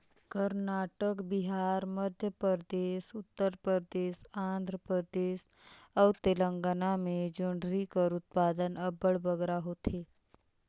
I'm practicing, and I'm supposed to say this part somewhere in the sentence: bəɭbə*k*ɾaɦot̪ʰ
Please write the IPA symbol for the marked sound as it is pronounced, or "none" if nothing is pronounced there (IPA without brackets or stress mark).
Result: ɡ